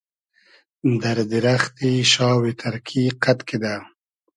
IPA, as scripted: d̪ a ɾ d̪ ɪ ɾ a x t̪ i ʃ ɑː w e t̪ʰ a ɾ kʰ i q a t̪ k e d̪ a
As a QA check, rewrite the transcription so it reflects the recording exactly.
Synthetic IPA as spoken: d̪ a ɾ d̪ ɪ ɾ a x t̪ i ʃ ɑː w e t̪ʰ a ɾ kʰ i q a t̪ k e d̪ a